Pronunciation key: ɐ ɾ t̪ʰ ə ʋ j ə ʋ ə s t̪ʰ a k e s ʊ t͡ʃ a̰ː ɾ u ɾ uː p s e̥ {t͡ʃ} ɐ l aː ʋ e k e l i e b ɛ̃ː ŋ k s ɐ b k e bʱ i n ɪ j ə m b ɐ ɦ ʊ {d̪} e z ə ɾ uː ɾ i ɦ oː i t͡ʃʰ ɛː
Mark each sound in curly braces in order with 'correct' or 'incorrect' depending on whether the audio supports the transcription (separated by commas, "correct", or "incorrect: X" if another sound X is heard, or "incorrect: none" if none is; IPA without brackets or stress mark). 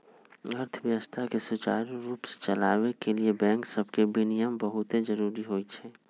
correct, incorrect: t̪